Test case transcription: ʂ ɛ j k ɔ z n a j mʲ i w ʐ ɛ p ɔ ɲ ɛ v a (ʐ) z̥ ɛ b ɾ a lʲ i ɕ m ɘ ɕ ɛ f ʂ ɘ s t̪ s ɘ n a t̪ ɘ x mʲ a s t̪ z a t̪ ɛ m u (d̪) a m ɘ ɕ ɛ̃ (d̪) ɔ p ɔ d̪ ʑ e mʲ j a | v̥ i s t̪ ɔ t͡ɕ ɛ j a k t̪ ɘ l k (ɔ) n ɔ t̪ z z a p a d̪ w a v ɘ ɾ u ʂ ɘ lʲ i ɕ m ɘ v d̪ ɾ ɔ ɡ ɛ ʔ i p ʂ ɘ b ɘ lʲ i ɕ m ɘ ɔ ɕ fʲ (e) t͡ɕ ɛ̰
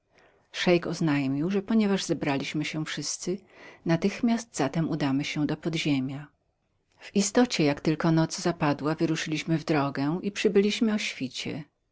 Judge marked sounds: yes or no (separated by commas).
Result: yes, yes, yes, yes, no